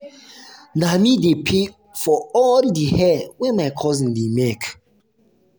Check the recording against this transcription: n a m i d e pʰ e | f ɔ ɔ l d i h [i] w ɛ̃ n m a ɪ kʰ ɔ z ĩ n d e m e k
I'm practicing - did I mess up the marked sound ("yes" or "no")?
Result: yes